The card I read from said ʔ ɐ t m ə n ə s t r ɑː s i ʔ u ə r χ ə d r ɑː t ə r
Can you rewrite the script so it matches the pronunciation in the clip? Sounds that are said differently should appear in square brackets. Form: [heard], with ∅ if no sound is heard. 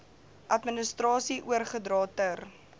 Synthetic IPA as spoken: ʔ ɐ t m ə n ə s t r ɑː s i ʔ u ə r χ ə d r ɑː t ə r